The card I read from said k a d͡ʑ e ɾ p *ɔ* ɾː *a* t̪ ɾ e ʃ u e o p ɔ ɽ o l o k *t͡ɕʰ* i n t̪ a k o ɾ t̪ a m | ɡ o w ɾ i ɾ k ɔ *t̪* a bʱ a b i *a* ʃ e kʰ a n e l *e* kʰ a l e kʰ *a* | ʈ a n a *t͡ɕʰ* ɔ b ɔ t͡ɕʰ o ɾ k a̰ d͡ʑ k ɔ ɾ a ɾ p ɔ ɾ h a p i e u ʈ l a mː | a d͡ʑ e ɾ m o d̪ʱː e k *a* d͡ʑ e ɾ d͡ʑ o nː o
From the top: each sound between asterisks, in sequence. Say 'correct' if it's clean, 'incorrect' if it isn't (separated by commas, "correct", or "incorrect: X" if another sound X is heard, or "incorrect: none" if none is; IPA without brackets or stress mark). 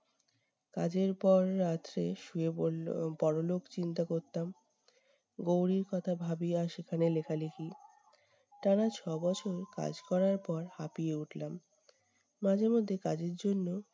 correct, correct, incorrect: t͡ɕ, incorrect: t̪ʰ, correct, correct, incorrect: i, correct, correct